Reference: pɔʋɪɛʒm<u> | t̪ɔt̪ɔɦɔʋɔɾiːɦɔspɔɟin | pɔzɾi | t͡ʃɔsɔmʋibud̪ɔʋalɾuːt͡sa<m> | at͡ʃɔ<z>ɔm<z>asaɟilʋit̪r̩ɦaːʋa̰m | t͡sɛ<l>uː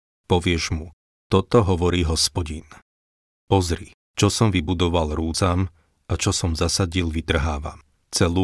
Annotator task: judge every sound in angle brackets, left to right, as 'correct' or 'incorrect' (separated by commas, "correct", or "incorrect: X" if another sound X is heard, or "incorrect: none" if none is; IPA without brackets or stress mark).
correct, correct, incorrect: s, correct, correct